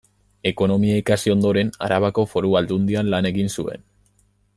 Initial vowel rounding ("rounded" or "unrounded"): unrounded